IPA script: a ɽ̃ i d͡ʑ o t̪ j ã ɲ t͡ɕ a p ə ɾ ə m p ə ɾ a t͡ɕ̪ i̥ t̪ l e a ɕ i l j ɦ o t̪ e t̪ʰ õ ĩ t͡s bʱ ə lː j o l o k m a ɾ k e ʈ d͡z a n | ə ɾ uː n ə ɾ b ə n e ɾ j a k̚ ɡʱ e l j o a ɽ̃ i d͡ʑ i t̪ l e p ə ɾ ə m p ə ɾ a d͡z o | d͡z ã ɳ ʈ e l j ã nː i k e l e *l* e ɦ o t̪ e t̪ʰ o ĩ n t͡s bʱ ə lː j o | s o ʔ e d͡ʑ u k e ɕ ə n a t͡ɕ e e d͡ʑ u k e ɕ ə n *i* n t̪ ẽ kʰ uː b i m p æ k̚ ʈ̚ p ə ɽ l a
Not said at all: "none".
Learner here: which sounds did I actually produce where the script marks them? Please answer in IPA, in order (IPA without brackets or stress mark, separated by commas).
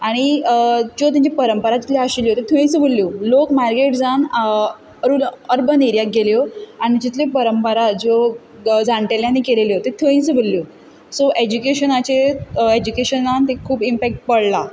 l, a